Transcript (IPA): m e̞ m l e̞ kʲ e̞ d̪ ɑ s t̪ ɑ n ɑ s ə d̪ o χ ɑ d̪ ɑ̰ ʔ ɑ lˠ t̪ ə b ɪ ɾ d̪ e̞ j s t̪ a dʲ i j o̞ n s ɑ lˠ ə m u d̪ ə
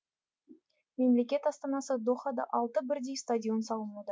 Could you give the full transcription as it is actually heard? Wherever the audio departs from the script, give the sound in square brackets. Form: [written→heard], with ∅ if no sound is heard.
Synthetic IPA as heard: m e̞ m l e̞ kʲ e̞ [d̪→t̪] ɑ s t̪ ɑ n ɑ s ə d̪ o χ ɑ d̪ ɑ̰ ʔ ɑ lˠ t̪ ə b ɪ ɾ d̪ e̞ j s t̪ a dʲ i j o̞ n s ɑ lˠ ə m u d̪ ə